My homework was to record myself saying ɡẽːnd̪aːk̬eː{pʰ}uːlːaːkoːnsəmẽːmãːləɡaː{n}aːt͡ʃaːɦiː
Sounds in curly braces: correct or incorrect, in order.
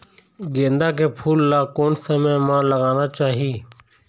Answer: correct, correct

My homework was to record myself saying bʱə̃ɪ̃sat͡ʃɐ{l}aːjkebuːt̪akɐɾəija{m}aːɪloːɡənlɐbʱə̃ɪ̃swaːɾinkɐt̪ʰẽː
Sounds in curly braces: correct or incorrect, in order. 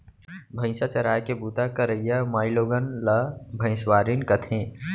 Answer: incorrect: ɾ, correct

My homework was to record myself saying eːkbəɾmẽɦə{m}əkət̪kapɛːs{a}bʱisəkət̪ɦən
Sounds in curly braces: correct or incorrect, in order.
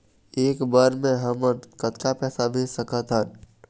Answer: correct, correct

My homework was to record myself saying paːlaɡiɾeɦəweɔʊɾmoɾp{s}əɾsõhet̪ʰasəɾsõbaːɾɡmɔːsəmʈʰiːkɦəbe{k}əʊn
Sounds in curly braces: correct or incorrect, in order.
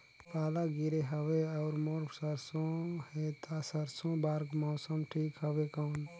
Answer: correct, correct

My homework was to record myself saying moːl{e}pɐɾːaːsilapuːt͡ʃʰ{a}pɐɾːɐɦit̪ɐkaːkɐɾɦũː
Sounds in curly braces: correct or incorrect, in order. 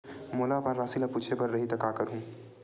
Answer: incorrect: a, incorrect: e

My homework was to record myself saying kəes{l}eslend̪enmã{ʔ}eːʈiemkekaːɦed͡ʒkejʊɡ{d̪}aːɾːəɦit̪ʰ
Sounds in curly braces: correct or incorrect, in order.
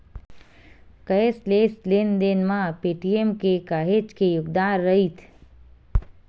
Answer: correct, incorrect: p, correct

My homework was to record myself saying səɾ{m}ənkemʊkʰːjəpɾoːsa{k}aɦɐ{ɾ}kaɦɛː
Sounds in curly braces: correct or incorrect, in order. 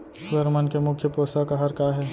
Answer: correct, correct, correct

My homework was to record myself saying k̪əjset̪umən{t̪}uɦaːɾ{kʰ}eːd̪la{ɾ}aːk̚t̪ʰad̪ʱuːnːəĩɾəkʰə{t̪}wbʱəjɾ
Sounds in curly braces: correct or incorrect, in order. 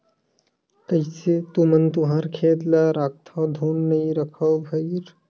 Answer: correct, correct, correct, incorrect: none

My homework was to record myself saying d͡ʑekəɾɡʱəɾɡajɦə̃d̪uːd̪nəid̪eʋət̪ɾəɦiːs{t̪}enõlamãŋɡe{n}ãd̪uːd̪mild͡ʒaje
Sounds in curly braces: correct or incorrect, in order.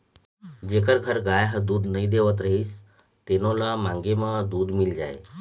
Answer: correct, incorrect: m

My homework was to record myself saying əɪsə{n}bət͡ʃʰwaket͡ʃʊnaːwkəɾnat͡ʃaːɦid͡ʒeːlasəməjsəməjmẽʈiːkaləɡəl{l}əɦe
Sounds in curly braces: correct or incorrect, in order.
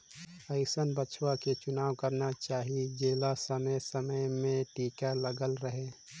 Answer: correct, incorrect: ɾ

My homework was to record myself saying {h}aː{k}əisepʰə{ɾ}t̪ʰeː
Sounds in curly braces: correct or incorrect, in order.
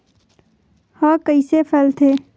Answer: correct, correct, incorrect: l

